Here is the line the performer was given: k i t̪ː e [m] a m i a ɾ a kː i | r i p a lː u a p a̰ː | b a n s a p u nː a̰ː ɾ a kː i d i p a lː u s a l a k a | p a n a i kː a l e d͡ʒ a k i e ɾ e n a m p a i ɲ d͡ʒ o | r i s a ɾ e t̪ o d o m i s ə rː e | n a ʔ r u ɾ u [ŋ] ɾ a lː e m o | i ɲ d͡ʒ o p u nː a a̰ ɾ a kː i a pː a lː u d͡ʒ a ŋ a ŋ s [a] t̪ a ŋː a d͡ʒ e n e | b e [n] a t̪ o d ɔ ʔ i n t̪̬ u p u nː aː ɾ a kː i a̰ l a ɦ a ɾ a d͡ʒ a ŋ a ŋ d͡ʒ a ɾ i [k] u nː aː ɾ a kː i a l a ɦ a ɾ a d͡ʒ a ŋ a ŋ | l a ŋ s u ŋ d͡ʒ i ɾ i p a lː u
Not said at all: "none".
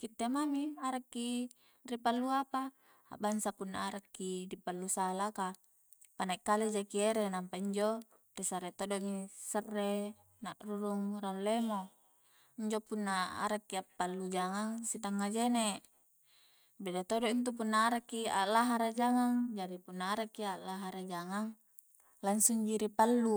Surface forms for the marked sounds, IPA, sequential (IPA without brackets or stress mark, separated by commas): m, ŋ, i, d, p